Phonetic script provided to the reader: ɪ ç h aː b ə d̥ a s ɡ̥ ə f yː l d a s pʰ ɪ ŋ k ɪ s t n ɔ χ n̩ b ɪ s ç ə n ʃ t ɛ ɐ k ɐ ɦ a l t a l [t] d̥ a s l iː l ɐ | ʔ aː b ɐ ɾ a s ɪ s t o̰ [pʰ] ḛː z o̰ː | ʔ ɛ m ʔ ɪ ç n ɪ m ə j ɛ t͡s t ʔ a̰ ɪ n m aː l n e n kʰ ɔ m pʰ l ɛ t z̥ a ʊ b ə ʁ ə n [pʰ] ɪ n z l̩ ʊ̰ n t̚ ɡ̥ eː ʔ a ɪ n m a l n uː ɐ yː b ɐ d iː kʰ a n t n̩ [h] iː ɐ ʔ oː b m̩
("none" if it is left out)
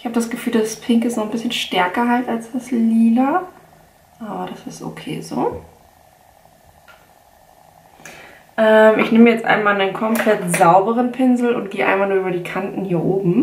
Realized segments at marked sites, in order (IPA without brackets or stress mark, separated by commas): s, kʰ, pʰ, h